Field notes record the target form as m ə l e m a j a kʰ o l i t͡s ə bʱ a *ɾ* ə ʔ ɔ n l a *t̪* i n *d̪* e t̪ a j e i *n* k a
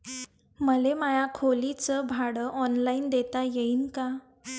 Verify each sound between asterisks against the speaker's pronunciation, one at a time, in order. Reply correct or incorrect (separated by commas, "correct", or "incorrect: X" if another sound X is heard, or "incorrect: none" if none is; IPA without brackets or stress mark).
incorrect: ɽ, incorrect: none, correct, correct